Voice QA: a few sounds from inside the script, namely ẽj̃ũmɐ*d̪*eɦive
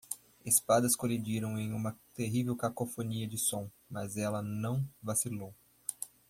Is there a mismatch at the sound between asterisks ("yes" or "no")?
yes